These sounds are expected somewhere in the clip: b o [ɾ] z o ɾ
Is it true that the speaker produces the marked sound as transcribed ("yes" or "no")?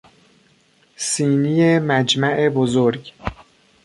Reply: no